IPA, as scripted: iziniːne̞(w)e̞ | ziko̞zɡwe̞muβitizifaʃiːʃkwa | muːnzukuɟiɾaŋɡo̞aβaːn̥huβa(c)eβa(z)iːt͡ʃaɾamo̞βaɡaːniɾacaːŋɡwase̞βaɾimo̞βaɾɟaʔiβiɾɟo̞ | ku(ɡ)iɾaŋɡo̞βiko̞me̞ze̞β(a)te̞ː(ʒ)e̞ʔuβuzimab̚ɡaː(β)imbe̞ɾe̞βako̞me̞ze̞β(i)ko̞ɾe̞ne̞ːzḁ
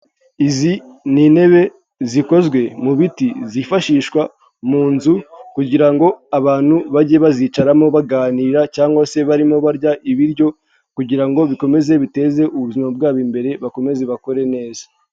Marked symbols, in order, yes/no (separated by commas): no, no, yes, no, no, no, yes, no